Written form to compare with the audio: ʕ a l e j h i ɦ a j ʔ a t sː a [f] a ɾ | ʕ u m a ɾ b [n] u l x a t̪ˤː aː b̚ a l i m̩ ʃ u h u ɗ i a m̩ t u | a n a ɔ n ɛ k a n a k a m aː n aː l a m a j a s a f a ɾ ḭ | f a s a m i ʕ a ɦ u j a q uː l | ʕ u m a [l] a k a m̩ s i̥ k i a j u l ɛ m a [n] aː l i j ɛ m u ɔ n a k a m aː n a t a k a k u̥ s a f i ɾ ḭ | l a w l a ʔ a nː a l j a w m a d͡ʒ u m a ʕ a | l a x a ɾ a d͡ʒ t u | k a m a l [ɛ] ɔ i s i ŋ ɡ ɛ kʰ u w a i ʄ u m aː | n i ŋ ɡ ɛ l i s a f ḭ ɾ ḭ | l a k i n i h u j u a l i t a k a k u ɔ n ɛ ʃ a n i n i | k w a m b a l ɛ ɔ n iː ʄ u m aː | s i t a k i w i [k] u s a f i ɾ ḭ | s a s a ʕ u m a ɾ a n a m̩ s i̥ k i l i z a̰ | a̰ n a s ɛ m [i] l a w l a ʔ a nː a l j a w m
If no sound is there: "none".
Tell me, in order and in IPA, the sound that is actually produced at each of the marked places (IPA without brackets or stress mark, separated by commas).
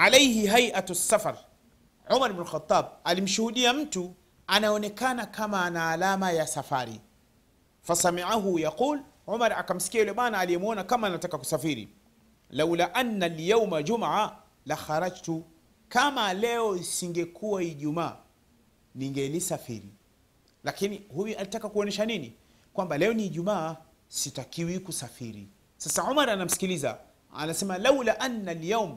f, n, ɾ, n, ɛ, k, a